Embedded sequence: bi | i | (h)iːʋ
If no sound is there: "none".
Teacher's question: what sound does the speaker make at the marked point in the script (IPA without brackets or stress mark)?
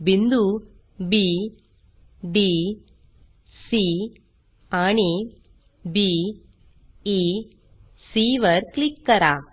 s